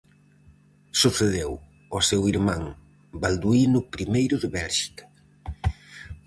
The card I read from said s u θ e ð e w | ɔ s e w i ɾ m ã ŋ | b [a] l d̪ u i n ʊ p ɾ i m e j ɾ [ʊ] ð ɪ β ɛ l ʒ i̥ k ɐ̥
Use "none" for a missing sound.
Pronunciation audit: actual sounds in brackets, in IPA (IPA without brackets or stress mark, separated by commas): a, ʊ